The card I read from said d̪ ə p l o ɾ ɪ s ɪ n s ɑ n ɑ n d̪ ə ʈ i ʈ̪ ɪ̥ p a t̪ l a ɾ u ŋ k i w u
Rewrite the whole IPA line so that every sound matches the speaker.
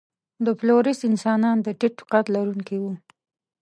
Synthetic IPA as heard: d̪ ə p l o ɾ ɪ s ɪ n s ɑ n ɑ n d̪ ə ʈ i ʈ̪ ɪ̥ q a t̪ l a ɾ u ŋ k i w u